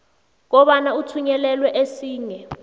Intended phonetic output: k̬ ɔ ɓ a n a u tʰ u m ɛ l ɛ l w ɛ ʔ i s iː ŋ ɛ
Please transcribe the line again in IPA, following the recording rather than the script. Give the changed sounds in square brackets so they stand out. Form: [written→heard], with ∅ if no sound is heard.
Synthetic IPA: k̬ ɔ ɓ a n a u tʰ u [m→ɲ] ɛ l ɛ l w ɛ ʔ [i→e] s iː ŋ ɛ